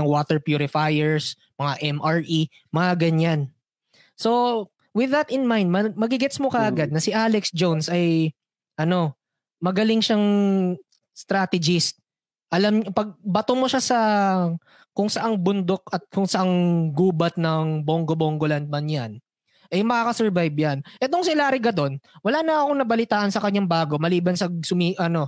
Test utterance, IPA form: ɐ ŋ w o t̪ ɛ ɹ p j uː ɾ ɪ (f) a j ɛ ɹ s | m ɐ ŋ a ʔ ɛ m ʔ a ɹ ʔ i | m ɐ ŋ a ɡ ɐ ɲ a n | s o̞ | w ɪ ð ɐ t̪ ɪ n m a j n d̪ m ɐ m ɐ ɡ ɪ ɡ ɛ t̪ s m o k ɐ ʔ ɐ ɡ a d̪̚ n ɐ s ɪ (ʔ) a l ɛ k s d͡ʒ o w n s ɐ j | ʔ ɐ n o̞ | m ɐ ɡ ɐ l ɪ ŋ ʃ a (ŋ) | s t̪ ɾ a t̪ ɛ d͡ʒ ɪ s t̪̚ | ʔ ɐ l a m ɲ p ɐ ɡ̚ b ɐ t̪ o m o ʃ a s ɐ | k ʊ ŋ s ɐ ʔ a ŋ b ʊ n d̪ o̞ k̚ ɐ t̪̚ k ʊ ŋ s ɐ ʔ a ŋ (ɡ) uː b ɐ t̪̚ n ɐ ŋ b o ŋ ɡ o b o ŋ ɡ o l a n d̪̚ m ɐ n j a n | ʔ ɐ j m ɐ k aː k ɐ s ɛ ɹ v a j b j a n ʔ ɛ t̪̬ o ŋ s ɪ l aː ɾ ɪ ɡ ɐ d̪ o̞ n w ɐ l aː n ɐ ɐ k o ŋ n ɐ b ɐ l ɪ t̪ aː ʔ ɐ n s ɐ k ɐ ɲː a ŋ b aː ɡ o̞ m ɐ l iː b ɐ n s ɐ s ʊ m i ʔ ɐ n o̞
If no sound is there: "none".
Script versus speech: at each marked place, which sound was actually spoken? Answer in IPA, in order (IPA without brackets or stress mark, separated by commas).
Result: f, ʔ, ŋ, ɡ